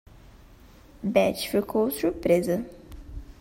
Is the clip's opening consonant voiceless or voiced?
voiced